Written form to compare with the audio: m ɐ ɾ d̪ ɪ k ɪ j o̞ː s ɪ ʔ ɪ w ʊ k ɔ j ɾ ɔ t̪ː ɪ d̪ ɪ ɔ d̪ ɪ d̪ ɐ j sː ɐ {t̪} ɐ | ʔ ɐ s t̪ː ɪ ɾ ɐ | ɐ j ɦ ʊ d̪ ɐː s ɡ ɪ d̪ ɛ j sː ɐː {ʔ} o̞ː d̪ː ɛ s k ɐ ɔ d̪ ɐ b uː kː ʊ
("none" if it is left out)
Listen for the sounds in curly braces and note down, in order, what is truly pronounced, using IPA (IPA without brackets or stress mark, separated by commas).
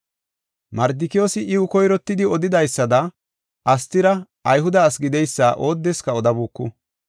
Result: d̪, ʔ